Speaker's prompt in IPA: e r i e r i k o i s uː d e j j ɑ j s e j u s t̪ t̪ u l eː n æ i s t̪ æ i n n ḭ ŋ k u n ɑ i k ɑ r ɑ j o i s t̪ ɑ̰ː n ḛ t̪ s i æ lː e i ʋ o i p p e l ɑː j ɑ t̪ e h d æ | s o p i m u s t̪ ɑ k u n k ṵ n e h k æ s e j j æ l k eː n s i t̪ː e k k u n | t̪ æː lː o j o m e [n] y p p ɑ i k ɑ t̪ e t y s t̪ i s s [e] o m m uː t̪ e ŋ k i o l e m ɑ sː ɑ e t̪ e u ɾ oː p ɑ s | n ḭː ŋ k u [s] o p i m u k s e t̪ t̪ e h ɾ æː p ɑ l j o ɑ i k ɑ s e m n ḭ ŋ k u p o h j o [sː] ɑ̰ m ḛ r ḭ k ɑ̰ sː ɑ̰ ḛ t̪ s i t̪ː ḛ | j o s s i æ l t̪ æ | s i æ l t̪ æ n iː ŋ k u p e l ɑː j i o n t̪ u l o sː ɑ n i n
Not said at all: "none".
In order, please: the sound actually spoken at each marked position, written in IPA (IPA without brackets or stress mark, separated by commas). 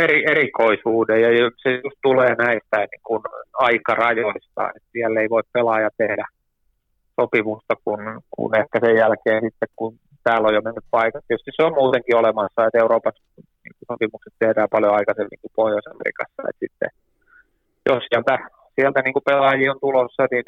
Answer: nː, e, s, s